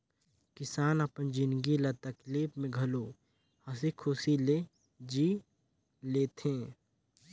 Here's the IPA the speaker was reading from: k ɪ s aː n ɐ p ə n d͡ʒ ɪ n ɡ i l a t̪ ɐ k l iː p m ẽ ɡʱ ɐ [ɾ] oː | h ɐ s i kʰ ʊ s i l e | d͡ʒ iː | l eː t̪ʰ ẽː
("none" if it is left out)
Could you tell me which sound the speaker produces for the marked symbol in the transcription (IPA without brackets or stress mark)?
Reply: l